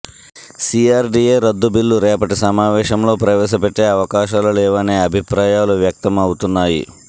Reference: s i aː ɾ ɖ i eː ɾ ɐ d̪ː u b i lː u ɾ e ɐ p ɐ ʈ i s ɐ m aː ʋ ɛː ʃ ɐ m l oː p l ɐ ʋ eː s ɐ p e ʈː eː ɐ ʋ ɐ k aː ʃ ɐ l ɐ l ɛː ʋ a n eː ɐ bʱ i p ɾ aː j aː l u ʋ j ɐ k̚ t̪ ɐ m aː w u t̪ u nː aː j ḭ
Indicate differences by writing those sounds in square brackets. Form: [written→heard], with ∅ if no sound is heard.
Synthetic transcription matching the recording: s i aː ɾ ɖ i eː ɾ ɐ d̪ː u b i lː u ɾ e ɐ p ɐ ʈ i s ɐ m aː ʋ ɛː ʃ ɐ m l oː p [l→ɾ] ɐ ʋ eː s ɐ p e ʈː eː ɐ ʋ ɐ k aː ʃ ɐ l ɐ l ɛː ʋ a n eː ɐ bʱ i p ɾ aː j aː l u ʋ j ɐ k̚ t̪ ɐ m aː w u t̪ u nː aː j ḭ